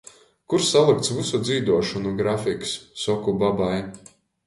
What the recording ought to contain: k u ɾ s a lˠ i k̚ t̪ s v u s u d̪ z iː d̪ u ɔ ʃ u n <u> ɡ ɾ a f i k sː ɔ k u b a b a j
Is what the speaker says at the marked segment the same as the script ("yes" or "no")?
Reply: yes